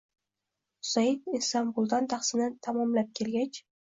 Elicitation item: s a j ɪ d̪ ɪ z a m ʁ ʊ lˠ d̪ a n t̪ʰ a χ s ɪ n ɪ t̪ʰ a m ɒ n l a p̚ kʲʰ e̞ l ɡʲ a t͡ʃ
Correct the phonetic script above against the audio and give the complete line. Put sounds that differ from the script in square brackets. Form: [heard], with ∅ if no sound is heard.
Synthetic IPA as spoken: s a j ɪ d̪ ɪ [s] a m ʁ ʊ lˠ d̪ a n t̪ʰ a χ s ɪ n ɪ t̪ʰ a m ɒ [m] l a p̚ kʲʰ e̞ l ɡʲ a t͡ʃ